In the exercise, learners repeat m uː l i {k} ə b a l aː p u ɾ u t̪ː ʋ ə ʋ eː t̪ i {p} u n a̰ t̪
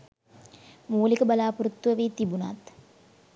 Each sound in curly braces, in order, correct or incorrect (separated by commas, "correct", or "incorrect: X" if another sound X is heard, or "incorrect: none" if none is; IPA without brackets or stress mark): correct, incorrect: b